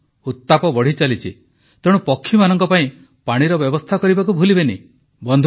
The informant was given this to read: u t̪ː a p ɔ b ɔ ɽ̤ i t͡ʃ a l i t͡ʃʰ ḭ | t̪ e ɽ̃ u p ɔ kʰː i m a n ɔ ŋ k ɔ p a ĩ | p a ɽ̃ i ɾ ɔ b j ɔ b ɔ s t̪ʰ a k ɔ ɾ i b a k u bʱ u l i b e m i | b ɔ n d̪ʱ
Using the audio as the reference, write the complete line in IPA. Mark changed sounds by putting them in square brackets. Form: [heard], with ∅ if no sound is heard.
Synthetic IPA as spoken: u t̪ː a p ɔ b ɔ ɽ̤ i t͡ʃ a l i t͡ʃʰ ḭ | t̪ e ɽ̃ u p ɔ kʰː i m a n ɔ ŋ k ɔ p a ĩ | p a ɽ̃ i ɾ ɔ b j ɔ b ɔ s t̪ʰ a k ɔ ɾ i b a k u bʱ u l i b e [n] i | b ɔ n d̪ʱ

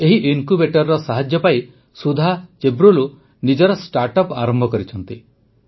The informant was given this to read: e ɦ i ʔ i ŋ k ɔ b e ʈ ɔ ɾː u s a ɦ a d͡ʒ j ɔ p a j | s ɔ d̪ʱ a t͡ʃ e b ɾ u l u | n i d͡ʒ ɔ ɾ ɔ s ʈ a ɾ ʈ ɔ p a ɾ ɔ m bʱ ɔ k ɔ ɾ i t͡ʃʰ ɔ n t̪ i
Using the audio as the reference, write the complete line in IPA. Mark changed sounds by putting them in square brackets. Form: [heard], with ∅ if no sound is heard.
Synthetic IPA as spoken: e ɦ i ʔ i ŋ k [u] b e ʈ ɔ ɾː [ɔ] s a ɦ a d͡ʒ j ɔ p a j | s [u] d̪ʱ a t͡ʃ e b ɾ u l u | n i d͡ʒ ɔ ɾ ɔ s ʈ a ɾ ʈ ɔ p a ɾ ɔ m bʱ ɔ k ɔ ɾ i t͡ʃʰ ɔ n t̪ i

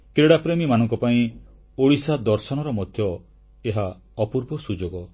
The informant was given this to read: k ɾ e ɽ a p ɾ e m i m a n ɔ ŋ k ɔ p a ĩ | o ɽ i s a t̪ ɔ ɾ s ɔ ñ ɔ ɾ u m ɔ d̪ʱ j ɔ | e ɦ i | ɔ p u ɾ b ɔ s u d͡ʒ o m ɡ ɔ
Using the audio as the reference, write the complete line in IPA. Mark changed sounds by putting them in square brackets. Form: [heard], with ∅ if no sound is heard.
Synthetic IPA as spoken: k ɾ e ɽ a p ɾ e m i m a n ɔ ŋ k ɔ p a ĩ | o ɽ i s a [d̪] ɔ ɾ s ɔ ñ ɔ ɾ [ɔ] m ɔ d̪ʱ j ɔ | e ɦ [a] | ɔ p u ɾ b ɔ s u d͡ʒ o [∅] ɡ ɔ

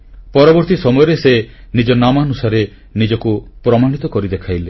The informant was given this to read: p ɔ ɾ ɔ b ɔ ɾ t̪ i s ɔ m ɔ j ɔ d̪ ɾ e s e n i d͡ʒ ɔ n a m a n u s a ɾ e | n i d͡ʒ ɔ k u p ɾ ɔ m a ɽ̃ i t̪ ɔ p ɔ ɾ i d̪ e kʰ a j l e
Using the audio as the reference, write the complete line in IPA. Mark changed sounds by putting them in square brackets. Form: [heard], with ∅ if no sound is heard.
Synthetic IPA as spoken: p ɔ ɾ ɔ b ɔ ɾ t̪ i s ɔ m ɔ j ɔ [∅] ɾ e s e n i d͡ʒ ɔ n a m a n u s a ɾ e | n i d͡ʒ ɔ k u p ɾ ɔ m a ɽ̃ i t̪ ɔ [k] ɔ ɾ i d̪ e kʰ a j l e

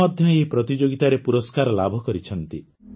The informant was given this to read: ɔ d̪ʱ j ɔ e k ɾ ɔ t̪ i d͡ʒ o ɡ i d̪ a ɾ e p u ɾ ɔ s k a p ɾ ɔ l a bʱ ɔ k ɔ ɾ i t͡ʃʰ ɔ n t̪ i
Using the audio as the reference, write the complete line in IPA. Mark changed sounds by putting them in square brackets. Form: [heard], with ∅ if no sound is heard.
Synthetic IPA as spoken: ɔ d̪ʱ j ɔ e [p] ɾ ɔ t̪ i d͡ʒ o ɡ i [t̪] a ɾ e p u ɾ ɔ s k a [∅] ɾ ɔ l a bʱ ɔ k ɔ ɾ i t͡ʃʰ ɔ n t̪ i

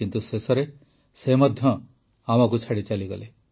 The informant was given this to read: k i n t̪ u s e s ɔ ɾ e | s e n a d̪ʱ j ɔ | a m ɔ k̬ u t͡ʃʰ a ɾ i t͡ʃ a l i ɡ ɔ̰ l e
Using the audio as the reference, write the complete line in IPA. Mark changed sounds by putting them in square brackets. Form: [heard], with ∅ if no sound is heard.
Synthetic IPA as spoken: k i n t̪ u s e s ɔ ɾ e | s e [m] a d̪ʱ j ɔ | a m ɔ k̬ u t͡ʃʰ a [ɽ] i t͡ʃ a l i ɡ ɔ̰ l e

